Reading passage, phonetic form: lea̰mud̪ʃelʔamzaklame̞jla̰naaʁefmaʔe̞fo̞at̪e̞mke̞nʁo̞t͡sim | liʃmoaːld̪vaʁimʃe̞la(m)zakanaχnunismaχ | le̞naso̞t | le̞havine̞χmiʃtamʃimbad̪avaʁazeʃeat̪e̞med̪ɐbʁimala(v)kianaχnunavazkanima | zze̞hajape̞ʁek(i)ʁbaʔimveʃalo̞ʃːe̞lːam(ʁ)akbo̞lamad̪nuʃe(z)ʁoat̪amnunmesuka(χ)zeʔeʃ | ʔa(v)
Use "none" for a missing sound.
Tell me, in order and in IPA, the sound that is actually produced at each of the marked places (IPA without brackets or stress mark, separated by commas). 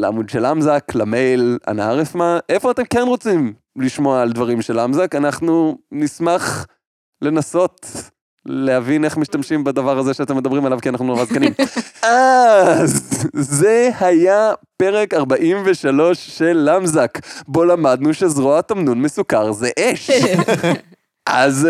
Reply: m, v, a, z, z, ʁ, z